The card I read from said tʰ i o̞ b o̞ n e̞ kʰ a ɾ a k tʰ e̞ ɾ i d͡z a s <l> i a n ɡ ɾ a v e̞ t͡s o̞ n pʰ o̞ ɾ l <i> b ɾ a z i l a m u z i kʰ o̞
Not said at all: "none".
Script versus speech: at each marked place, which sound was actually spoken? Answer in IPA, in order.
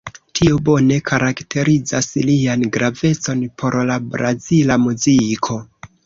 l, a

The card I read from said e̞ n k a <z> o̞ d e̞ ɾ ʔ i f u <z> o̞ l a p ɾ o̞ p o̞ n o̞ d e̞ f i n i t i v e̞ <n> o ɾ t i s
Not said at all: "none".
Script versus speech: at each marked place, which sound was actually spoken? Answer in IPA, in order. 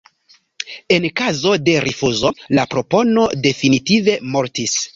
z, z, m

